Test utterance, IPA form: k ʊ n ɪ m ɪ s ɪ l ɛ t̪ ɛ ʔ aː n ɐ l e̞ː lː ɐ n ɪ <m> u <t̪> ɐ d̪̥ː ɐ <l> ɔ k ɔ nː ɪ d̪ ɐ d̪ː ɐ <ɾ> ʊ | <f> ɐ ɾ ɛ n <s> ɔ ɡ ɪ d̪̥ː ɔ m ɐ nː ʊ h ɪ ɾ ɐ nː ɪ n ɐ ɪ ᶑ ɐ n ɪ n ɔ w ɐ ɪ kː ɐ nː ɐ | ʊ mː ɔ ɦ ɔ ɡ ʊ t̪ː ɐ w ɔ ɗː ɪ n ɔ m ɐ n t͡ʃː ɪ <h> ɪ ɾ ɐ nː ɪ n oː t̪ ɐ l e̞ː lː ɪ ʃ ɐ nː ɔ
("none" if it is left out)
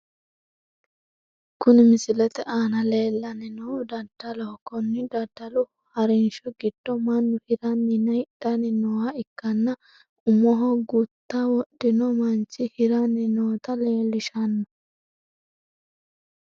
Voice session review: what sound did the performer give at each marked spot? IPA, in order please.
n, d̪, l, l, h, ʃ, h

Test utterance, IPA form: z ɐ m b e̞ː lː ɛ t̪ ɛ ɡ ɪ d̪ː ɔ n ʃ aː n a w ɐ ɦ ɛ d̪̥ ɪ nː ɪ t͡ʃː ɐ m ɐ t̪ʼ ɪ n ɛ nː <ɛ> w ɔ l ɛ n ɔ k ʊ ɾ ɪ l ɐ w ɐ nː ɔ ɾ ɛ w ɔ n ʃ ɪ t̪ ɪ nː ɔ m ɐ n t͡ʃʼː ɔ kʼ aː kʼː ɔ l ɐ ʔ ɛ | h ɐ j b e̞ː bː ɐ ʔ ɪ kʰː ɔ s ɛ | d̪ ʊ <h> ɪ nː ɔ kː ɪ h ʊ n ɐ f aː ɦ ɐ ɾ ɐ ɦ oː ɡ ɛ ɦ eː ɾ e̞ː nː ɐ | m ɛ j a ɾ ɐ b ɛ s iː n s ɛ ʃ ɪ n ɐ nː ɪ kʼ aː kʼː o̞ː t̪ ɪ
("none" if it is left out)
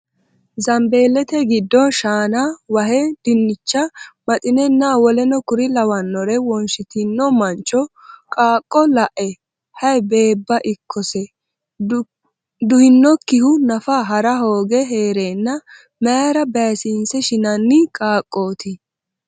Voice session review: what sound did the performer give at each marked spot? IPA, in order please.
a, h

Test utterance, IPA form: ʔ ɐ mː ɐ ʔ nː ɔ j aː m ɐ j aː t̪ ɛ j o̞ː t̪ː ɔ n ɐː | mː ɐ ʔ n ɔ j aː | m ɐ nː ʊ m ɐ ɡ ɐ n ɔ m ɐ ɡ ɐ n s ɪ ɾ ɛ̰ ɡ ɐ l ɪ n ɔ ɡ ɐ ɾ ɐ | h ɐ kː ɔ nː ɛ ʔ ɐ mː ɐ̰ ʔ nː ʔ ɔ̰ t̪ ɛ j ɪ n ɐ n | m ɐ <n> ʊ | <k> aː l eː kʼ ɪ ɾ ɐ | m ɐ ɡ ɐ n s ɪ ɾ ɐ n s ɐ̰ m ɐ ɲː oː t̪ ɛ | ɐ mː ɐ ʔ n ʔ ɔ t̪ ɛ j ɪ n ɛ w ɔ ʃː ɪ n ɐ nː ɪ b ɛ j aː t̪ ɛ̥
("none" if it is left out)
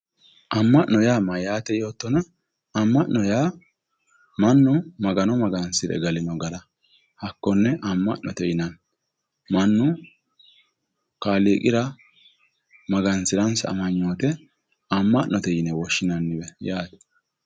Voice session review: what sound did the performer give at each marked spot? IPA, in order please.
nː, k

